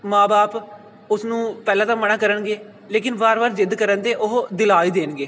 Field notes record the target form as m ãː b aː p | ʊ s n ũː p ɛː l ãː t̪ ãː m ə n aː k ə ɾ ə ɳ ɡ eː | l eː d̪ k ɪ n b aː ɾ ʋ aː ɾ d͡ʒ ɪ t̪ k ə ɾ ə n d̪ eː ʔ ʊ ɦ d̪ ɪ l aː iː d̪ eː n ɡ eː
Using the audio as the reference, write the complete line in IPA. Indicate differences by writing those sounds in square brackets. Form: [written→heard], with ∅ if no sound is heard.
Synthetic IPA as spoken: m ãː b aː p | ʊ s n ũː p ɛː l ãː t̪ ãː m ə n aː k ə ɾ ə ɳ ɡ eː | l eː [d̪→∅] k ɪ n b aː ɾ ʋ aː ɾ d͡ʒ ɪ [t̪→d̪] k ə ɾ ə n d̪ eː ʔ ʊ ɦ d̪ ɪ l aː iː d̪ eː n ɡ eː